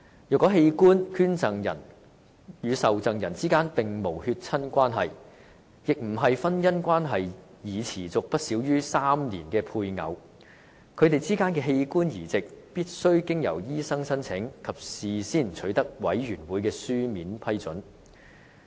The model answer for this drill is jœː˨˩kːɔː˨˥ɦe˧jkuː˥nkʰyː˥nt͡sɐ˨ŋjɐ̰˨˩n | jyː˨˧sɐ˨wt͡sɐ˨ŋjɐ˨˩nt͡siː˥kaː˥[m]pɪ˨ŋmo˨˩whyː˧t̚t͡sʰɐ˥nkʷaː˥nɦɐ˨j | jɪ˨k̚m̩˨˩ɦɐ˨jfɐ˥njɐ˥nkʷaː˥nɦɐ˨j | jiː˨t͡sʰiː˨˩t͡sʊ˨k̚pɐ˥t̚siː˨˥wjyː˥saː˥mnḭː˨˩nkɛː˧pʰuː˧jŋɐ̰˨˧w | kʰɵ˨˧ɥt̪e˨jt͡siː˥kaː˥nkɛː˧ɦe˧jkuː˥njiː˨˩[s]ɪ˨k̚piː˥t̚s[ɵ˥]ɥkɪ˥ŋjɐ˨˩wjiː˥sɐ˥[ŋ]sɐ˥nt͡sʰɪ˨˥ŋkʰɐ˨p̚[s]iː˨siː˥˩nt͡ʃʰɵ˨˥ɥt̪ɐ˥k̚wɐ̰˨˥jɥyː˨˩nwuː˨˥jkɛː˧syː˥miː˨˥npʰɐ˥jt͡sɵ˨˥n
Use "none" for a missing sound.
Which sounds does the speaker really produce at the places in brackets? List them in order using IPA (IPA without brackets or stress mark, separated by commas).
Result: n, t͡s, ɵ˥, ŋ, s